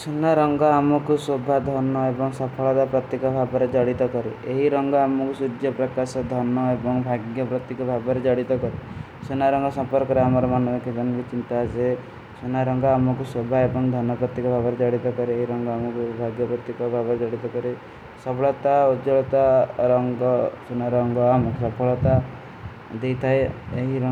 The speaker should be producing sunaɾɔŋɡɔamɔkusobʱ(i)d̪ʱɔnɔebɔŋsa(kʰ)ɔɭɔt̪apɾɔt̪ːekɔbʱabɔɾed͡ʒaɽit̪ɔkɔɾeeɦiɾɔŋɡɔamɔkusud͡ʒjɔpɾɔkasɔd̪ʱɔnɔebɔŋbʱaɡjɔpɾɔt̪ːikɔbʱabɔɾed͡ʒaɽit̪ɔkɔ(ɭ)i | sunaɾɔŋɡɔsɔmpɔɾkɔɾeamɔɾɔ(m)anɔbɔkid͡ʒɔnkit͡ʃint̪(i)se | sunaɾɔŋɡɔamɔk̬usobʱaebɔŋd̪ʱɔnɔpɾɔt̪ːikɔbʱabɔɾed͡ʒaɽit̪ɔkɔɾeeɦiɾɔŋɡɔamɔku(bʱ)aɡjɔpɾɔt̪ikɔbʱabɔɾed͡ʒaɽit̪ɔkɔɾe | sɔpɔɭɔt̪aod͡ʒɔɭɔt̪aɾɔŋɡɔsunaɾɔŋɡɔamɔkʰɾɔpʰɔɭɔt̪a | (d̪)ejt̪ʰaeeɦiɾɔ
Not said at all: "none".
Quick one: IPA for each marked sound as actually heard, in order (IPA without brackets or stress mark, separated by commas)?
a, pʰ, ɾ, m, a, bʱ, d̪